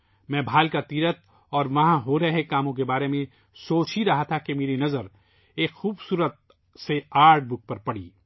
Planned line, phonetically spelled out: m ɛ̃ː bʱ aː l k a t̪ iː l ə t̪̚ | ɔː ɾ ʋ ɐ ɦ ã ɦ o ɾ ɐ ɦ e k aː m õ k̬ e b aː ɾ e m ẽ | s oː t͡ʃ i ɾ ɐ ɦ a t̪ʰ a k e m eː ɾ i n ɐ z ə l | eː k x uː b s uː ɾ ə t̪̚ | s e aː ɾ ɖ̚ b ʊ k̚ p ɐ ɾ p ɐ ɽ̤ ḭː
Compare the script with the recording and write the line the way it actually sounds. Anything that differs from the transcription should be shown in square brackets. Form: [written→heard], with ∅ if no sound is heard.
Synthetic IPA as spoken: m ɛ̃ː bʱ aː l k a t̪ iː [l→ɾ] ə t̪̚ | ɔː ɾ ʋ ɐ ɦ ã ɦ o ɾ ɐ ɦ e k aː m õ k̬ e b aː ɾ e m ẽ | s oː t͡ʃ i ɾ ɐ ɦ a t̪ʰ a k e m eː ɾ i n ɐ z ə [l→ɾ] | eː k x uː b s uː ɾ ə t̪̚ | s e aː ɾ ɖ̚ b ʊ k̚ p ɐ ɾ p ɐ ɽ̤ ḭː

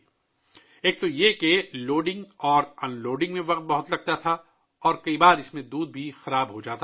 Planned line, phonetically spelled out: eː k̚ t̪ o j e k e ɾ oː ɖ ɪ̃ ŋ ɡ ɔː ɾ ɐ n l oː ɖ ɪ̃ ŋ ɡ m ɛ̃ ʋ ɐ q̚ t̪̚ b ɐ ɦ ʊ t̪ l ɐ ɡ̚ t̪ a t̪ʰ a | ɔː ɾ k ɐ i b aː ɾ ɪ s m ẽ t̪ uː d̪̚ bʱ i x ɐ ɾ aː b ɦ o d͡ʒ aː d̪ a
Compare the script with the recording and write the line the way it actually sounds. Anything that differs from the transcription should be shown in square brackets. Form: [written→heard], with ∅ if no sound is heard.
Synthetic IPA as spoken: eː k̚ t̪ o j e k e [ɾ→l] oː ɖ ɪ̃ ŋ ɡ ɔː ɾ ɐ n l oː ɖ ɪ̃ ŋ ɡ m [ɛ̃→ẽ] ʋ ɐ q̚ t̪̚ b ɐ ɦ ʊ t̪ l ɐ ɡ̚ t̪ a t̪ʰ a | ɔː ɾ k ɐ i b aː ɾ ɪ s m ẽ [t̪→d̪] uː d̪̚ bʱ i x ɐ ɾ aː b ɦ o d͡ʒ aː [d̪→t̪] a

